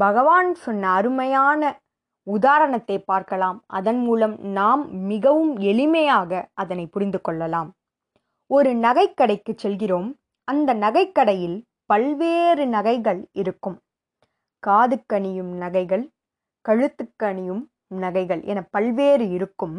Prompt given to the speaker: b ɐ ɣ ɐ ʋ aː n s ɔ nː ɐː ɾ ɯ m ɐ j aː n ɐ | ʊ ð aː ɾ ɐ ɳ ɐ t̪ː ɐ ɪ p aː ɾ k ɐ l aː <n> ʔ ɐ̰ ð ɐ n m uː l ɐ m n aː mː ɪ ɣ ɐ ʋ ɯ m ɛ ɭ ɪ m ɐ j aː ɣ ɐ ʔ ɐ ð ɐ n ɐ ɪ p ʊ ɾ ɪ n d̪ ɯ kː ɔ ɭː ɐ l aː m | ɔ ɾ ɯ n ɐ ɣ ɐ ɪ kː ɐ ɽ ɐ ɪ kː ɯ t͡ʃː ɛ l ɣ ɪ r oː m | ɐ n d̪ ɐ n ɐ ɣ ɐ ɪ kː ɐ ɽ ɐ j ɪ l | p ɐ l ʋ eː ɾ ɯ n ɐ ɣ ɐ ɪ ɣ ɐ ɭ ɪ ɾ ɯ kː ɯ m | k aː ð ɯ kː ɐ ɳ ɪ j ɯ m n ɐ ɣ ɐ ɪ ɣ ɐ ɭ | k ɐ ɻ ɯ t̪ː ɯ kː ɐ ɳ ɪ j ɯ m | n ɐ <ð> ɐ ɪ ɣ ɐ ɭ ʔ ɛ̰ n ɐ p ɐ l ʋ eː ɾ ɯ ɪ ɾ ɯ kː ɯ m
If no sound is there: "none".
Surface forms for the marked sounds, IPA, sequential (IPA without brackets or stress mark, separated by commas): m, ɣ